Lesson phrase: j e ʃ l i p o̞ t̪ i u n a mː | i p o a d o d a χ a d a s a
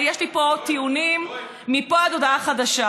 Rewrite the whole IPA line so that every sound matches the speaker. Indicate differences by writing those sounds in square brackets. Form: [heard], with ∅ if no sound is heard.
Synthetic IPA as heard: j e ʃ l i p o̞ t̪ i u n [i] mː | i p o a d o d a χ a d a [ʃ] a